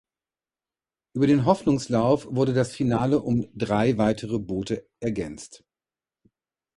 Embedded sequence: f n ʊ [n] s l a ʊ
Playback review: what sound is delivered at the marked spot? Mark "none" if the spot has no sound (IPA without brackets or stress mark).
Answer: ŋ